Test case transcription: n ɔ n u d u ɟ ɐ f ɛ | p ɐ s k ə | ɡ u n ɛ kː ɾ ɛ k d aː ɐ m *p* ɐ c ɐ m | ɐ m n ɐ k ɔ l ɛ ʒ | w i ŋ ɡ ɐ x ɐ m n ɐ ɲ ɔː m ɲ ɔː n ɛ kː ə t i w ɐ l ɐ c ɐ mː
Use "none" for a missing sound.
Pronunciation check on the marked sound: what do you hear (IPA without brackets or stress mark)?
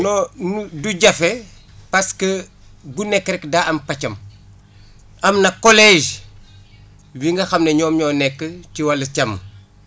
p